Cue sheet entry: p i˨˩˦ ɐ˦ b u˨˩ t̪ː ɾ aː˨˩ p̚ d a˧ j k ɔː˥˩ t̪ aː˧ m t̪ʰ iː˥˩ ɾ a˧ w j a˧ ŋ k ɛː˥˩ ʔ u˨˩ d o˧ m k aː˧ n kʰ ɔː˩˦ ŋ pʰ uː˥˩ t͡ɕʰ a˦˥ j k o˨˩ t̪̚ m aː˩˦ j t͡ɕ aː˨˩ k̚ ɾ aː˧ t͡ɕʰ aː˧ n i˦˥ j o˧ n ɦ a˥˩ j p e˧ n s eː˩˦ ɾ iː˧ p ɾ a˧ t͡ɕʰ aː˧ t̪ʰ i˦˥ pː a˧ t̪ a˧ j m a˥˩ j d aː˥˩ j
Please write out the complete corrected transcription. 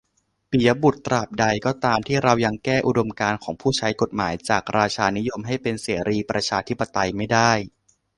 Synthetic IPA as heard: p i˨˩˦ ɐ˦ b u˨˩ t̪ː ɾ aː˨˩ p̚ d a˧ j k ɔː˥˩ t̪ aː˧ m t̪ʰ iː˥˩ ɾ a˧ w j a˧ ŋ k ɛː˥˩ ʔ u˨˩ d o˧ m k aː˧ n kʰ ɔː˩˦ ŋ pʰ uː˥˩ t͡ɕʰ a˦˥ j k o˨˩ t̪̚ m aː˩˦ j t͡ɕ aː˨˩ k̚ ɾ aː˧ t͡ɕʰ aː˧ n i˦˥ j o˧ m ɦ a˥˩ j p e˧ n s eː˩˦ ɾ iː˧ p ɾ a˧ t͡ɕʰ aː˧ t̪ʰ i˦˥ pː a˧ t̪ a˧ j m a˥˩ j d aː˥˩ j